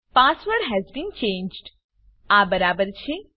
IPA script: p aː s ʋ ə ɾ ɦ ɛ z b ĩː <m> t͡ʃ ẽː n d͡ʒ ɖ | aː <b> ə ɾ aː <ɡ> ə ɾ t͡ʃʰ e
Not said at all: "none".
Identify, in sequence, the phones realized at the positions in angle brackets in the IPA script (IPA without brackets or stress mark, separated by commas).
n, b, b